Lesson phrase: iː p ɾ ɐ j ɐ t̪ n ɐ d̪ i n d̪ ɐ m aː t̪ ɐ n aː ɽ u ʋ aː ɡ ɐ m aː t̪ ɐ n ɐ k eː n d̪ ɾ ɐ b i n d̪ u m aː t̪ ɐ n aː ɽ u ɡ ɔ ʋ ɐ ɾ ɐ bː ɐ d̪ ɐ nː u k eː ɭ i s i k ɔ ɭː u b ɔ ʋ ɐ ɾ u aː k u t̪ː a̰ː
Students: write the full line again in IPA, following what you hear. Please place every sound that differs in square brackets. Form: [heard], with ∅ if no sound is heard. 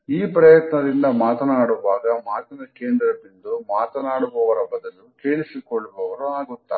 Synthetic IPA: iː p ɾ ɐ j ɐ t̪ n ɐ d̪ i n d̪ ɐ m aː t̪ ɐ n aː ɽ u ʋ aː ɡ ɐ m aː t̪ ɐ n ɐ k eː n d̪ ɾ ɐ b i n d̪ u m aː t̪ ɐ n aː ɽ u [b] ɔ ʋ ɐ ɾ ɐ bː ɐ d̪ ɐ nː u k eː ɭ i s i k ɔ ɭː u b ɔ ʋ ɐ ɾ u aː [ɡ] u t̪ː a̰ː